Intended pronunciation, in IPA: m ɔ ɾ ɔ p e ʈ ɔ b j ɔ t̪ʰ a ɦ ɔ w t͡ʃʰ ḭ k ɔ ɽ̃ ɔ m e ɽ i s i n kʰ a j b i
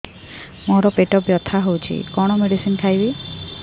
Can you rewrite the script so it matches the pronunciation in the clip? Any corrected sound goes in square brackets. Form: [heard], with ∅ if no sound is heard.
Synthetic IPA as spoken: m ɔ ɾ ɔ p e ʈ ɔ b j ɔ t̪ʰ a ɦ [o] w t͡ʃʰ ḭ k ɔ ɽ̃ ɔ m e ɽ i s i n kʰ a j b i